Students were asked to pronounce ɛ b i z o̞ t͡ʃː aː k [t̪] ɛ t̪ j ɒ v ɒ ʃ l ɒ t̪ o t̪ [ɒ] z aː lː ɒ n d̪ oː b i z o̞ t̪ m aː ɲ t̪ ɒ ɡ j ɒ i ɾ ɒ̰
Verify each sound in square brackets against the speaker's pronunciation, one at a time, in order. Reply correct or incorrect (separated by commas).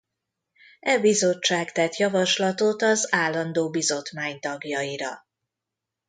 correct, correct